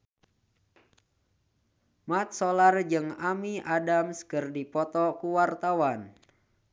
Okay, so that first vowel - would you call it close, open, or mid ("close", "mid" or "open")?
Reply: open